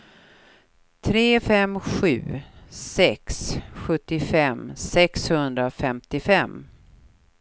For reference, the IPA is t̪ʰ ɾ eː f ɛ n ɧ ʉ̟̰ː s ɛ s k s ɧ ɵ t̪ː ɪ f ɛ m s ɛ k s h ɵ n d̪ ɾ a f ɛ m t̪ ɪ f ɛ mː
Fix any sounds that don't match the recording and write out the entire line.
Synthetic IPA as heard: t̪ʰ ɾ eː f ɛ m ɧ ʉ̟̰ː s ɛ k s ɧ ɵ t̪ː ɪ f ɛ m s ɛ k s h ɵ n d̪ ɾ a f ɛ m t̪ ɪ f ɛ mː